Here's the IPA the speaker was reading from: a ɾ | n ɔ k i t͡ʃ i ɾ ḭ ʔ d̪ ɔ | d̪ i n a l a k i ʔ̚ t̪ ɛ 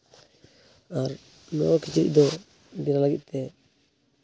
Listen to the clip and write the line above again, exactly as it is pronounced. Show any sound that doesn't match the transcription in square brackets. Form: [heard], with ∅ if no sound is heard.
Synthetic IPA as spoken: a ɾ | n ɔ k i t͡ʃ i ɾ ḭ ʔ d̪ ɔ | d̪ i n a l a [ɡ] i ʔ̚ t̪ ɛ